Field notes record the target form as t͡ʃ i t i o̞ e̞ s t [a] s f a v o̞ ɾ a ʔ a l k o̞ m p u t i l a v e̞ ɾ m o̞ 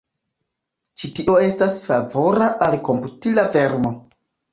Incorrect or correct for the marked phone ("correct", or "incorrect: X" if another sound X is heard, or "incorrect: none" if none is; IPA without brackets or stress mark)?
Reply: correct